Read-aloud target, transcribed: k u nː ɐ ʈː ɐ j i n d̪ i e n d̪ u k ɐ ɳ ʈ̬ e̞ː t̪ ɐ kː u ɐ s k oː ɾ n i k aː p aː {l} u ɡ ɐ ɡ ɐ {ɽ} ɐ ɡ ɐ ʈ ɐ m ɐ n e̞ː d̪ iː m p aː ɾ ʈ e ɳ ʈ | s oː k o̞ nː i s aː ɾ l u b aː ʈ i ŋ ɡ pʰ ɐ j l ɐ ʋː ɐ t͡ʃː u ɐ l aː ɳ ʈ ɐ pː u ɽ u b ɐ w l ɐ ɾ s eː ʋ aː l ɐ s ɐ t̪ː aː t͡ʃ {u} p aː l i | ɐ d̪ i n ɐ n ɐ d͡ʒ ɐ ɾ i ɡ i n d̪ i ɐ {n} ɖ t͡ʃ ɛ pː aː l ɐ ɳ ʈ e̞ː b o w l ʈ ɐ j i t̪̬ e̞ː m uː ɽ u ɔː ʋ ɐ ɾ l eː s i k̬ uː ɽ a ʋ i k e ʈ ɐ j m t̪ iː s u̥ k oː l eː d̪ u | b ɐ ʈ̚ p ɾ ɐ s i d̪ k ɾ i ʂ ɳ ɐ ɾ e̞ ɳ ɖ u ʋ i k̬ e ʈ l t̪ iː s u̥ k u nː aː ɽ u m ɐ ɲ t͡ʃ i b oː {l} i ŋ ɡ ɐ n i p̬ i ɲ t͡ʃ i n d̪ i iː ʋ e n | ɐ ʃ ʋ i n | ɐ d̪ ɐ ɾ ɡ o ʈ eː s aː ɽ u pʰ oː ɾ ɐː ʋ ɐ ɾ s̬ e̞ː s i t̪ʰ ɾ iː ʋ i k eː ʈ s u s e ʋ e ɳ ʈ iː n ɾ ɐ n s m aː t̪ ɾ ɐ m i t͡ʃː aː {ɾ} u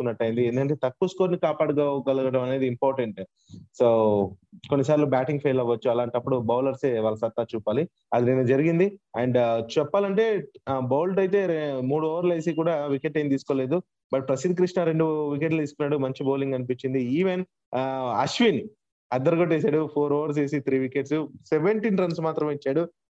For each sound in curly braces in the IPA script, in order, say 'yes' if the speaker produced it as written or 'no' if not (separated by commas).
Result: no, no, no, no, yes, no